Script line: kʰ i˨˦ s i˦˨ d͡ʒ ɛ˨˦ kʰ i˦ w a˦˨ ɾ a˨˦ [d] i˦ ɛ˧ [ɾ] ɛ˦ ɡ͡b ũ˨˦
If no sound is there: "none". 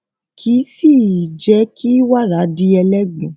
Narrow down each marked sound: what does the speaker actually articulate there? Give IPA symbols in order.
d, l

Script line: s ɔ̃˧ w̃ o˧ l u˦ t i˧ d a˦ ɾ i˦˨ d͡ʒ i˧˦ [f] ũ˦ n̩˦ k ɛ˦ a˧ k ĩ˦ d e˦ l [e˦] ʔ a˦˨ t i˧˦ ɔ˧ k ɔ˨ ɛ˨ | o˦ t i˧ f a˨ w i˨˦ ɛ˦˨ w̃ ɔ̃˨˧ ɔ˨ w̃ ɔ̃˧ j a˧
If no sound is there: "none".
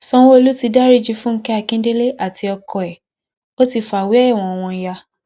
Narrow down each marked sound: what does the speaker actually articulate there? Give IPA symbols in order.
f, e˦

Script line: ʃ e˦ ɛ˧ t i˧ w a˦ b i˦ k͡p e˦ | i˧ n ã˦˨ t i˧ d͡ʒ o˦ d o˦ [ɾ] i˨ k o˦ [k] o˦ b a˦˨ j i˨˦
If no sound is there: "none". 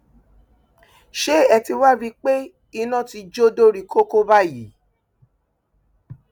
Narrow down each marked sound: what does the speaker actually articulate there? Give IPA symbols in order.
ɾ, k

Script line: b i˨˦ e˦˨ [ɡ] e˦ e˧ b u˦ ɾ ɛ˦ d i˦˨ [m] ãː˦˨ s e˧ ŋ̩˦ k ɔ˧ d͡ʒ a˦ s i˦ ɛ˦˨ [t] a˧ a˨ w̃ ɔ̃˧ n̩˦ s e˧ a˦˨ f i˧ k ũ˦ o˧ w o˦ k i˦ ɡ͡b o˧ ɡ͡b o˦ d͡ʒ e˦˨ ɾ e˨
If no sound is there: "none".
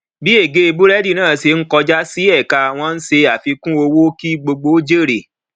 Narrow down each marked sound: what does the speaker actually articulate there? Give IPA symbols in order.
ɡ, n, k

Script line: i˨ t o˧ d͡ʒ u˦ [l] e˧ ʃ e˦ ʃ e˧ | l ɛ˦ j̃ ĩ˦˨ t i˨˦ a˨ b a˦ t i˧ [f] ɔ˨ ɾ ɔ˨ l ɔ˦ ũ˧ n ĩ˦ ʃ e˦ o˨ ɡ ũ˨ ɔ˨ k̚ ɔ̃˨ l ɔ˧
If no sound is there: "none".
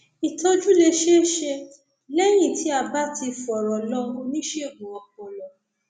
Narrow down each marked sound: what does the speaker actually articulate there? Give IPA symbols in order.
l, f

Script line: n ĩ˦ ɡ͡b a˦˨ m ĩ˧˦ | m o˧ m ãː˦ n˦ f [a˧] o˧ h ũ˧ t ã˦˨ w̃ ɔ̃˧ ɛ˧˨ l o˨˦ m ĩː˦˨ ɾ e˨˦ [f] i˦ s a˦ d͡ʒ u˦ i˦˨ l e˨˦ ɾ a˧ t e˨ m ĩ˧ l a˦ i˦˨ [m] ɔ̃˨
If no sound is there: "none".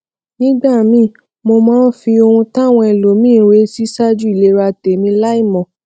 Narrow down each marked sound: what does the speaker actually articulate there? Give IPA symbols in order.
i˧, s, m

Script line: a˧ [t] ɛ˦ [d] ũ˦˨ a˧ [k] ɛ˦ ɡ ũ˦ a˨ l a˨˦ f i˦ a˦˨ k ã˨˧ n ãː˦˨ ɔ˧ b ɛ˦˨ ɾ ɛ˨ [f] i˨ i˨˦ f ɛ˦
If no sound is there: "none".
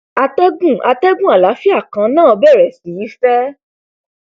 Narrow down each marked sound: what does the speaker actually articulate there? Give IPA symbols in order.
t, ɡ, t, s

